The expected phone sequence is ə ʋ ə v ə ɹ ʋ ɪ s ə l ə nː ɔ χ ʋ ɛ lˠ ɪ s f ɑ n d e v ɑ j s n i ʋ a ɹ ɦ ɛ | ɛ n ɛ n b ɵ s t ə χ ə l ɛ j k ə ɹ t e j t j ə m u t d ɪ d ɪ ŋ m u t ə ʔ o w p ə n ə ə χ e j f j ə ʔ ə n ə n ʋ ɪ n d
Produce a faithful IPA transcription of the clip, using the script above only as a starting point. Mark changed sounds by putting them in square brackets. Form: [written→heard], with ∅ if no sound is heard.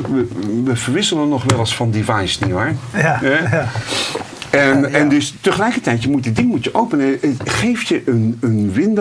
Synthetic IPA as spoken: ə ʋ ə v ə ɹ ʋ ɪ s ə l ə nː ɔ χ ʋ ɛ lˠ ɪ s f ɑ n d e v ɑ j s n i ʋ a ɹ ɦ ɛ | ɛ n ɛ n [b→d] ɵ s t ə χ ə l ɛ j k ə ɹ t [e→ɛ] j t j ə m u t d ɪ d ɪ ŋ m u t ə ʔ o w p ə n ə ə χ e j f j ə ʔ ə n ə n ʋ ɪ n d